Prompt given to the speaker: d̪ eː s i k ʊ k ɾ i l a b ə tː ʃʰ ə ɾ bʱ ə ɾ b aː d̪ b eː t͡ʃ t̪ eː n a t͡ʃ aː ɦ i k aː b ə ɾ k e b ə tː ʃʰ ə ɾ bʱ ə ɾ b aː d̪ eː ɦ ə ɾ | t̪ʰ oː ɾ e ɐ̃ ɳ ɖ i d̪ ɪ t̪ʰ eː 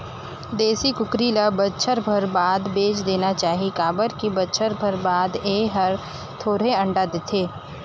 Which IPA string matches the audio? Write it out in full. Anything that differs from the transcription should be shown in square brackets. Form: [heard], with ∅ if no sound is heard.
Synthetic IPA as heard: d̪ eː s i k ʊ k ɾ i l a b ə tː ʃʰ ə ɾ bʱ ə ɾ b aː d̪ b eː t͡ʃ [d̪] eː n a t͡ʃ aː ɦ i k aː b ə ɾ k [i] b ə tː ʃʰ ə ɾ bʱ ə ɾ b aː d̪ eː ɦ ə ɾ | t̪ʰ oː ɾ e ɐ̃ ɳ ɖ [a] d̪ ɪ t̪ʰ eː